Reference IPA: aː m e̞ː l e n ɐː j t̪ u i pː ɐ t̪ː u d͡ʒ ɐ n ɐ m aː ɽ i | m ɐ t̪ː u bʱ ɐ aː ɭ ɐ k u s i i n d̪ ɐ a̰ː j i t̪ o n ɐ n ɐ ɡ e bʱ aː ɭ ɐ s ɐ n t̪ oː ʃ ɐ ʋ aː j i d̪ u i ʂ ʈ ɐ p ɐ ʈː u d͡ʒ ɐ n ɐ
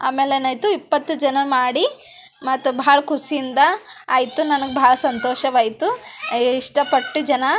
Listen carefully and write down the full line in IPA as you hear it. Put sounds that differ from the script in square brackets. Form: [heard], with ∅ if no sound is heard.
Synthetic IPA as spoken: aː m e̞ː l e n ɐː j t̪ u i pː ɐ t̪ː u d͡ʒ ɐ n ɐ m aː ɽ i | m ɐ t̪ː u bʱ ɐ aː ɭ ɐ k u s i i n d̪ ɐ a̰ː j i t̪ [u] n ɐ n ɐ ɡ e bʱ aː ɭ ɐ s ɐ n t̪ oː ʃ ɐ ʋ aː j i [t̪] u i ʂ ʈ ɐ p ɐ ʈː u d͡ʒ ɐ n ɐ

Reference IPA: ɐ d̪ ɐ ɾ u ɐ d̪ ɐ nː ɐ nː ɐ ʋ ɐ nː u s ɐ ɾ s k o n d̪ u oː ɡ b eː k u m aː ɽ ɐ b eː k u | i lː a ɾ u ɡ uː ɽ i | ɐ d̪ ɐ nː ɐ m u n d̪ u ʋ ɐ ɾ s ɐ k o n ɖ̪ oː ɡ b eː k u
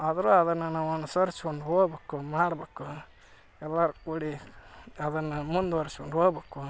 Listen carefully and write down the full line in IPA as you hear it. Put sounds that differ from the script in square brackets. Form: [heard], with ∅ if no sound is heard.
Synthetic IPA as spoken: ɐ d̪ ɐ ɾ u ɐ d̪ ɐ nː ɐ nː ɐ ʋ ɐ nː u s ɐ ɾ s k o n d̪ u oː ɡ b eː k u m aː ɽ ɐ b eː k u | [ɛ] lː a ɾ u [k] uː ɽ i | ɐ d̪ ɐ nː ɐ m u n d̪ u ʋ ɐ ɾ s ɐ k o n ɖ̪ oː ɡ b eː k u

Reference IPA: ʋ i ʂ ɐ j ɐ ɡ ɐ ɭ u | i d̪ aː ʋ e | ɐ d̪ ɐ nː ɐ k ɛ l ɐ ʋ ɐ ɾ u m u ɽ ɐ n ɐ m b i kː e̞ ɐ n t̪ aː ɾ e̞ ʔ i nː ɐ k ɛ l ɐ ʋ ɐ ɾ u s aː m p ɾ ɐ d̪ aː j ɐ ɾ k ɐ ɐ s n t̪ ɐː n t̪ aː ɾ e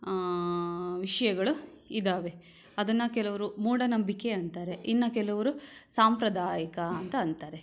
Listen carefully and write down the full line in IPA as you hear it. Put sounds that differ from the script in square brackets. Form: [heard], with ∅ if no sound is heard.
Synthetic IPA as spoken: ʋ i ʂ ɐ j ɐ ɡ ɐ ɭ u | i d̪ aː ʋ e | ɐ d̪ ɐ nː ɐ k ɛ l ɐ ʋ ɐ ɾ u m [uː] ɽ ɐ n ɐ m b i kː e̞ ɐ n t̪ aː ɾ e̞ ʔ i nː ɐ k ɛ l ɐ ʋ ɐ ɾ u s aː m p ɾ ɐ d̪ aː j ɐ [∅] k ɐ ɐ [∅] n t̪ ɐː n t̪ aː ɾ e

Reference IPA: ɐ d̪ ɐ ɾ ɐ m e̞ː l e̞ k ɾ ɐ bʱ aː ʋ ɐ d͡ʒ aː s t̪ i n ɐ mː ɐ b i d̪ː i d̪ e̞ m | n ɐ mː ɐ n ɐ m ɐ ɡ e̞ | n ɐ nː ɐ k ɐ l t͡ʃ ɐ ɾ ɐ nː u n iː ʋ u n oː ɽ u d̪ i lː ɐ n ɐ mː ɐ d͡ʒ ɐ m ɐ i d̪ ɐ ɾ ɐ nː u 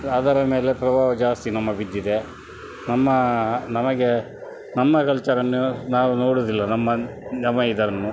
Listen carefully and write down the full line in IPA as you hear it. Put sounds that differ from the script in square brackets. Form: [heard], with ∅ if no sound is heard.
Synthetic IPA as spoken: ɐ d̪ ɐ ɾ ɐ m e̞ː l e̞ [p] ɾ ɐ bʱ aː ʋ ɐ d͡ʒ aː s t̪ i n ɐ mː ɐ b i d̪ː i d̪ e̞ [∅] | n ɐ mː ɐ n ɐ m ɐ ɡ e̞ | n ɐ [mː] ɐ k ɐ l t͡ʃ ɐ ɾ ɐ nː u n [aː] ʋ u n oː ɽ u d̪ i lː ɐ n ɐ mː ɐ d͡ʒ ɐ m ɐ i d̪ ɐ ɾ ɐ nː u

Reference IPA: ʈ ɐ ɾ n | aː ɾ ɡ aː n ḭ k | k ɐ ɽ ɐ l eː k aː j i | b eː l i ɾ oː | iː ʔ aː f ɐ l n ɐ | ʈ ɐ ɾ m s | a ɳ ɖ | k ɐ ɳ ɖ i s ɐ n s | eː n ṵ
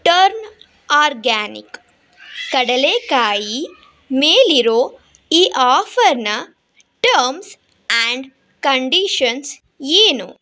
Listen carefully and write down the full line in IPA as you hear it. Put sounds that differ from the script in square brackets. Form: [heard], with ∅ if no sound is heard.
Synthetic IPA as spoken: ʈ ɐ ɾ n | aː ɾ ɡ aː n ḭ k | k ɐ ɽ ɐ l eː k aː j i | [m] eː l i ɾ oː | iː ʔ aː f ɐ [ɾ] n ɐ | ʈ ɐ ɾ m s | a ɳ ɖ | k ɐ ɳ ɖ i [ʃ] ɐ n s | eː n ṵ

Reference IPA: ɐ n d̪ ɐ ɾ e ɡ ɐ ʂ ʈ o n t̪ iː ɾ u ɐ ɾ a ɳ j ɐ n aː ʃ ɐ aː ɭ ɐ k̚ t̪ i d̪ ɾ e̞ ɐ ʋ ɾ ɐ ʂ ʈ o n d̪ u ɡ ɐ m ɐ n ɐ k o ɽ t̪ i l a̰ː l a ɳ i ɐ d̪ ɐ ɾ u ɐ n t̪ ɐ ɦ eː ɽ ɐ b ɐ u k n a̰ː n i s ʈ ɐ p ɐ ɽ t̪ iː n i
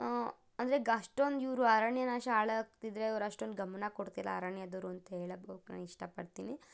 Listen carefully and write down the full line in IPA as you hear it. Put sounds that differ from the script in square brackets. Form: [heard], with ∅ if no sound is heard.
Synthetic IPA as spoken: ɐ n d̪ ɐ ɾ e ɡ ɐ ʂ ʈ o n [d̪] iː ɾ u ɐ ɾ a ɳ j ɐ n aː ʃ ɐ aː ɭ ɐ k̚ t̪ i d̪ ɾ e̞ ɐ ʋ ɾ ɐ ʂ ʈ o n d̪ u ɡ ɐ m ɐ n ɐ k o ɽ t̪ i l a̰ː [ɾ] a ɳ [j] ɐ d̪ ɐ ɾ u ɐ n t̪ ɐ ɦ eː [ɭ] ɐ b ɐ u k n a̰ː n i [ʂ] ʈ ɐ p ɐ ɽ t̪ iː n i

